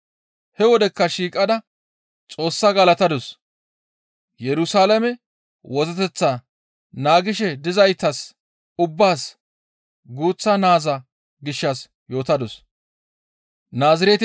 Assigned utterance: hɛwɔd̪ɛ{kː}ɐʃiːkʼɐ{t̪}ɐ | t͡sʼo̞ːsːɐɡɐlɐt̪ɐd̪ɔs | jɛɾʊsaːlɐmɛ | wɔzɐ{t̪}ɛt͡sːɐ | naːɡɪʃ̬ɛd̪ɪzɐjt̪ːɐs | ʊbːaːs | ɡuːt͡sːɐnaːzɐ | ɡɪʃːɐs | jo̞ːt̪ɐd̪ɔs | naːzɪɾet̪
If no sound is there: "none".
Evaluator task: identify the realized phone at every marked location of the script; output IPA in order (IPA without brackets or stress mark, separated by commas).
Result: kː, d̪, t̪